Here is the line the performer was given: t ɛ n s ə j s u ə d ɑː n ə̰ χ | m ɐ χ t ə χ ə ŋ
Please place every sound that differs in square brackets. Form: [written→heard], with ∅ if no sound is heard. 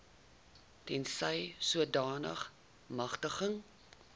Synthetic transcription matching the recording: t ɛ n s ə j s u ə d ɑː n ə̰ χ | m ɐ χ t ə χ ə ŋ